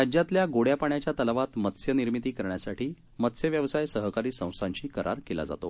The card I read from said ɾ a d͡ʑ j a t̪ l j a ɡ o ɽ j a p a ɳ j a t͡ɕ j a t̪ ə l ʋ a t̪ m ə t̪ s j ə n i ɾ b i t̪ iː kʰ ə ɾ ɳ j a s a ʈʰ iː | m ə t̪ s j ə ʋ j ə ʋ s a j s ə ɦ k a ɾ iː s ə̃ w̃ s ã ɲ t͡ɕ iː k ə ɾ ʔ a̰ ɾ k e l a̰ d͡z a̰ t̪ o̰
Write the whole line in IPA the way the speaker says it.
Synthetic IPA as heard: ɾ a d͡ʑ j a t̪ l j a ɡ o ɽ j a p a ɳ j a t͡ɕ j a t̪ ə l ʋ a t̪ m ə t̪ s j ə n i ɾ m i t̪ iː k ə ɾ ɳ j a s a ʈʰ iː | m ə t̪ s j ə ʋ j ə ʋ s a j s ə ɦ k a ɾ iː s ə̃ w̃ s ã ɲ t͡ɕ iː k ə ɾ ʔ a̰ ɾ k e l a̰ d͡z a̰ t̪ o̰